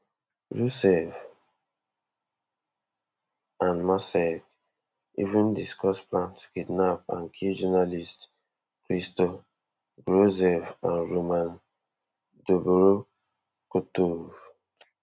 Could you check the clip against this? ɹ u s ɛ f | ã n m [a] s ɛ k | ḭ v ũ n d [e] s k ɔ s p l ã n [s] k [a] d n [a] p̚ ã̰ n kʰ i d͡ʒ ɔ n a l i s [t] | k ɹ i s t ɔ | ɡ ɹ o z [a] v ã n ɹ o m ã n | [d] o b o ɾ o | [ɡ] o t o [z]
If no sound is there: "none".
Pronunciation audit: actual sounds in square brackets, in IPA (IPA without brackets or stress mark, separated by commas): a, i, t, i, a, t, ɛ, d, k, v